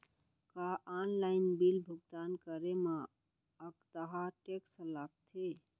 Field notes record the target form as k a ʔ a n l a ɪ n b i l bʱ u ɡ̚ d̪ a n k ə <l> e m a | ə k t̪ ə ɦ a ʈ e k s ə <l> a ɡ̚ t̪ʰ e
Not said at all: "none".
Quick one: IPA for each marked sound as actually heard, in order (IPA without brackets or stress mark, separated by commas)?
ɾ, l